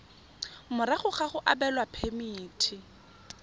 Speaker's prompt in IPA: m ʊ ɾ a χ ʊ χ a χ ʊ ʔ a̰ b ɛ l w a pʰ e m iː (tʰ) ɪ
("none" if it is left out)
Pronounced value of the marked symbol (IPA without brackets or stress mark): tʰ